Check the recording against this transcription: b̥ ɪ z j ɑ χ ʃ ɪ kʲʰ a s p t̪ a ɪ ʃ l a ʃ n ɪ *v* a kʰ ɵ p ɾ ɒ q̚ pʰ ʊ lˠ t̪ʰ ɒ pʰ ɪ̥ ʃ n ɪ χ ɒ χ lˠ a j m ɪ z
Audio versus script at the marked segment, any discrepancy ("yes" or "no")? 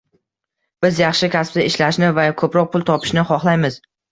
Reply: no